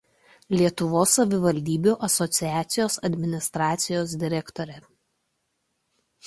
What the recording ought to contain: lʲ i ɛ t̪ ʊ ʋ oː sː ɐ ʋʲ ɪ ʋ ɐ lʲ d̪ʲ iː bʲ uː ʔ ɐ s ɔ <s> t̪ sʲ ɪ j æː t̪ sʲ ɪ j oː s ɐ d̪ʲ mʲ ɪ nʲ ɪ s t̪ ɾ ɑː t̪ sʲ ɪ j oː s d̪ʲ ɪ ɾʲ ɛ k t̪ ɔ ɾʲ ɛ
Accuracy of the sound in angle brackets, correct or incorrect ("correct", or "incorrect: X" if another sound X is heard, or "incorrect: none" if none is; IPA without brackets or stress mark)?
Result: incorrect: none